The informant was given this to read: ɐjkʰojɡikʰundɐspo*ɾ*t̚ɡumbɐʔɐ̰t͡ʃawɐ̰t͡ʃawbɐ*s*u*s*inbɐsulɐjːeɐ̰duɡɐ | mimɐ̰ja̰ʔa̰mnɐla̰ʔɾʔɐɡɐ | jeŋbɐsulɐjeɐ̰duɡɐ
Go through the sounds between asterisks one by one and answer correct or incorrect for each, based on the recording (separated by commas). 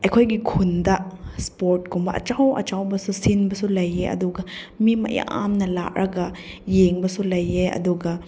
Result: correct, correct, correct